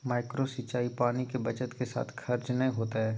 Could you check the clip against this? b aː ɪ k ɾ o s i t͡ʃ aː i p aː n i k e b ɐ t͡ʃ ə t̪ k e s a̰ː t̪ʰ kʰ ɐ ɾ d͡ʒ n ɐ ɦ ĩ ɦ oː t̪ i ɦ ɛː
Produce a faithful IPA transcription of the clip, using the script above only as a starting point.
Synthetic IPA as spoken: m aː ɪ k ɾ o s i t͡ʃ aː i p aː n i k e b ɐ t͡ʃ ə t̪ k e s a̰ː t̪ʰ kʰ ɐ ɾ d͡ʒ n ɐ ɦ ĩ ɦ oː t̪ a ɦ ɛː